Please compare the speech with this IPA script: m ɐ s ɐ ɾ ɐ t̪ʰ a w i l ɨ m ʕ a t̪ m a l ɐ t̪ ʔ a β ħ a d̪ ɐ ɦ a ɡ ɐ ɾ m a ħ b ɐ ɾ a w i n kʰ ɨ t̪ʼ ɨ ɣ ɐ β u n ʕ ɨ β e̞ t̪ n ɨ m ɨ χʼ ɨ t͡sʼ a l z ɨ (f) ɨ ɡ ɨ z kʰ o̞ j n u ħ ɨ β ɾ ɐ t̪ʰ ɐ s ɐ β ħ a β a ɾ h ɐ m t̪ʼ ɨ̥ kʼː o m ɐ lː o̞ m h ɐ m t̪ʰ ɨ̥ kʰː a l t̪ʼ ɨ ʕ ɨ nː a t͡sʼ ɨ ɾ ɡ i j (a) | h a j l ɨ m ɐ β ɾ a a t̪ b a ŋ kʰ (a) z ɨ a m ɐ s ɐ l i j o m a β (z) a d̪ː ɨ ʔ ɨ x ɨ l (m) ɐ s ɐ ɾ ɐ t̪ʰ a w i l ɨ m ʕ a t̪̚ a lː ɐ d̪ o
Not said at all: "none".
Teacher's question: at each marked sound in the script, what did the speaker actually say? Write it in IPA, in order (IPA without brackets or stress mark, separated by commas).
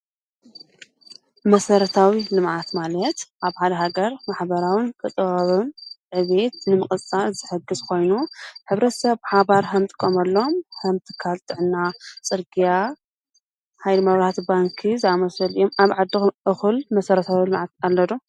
ħ, a, i, ʕ, m